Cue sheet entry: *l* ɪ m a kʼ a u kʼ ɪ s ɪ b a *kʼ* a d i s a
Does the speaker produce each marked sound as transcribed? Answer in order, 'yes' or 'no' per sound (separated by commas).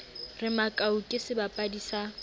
no, no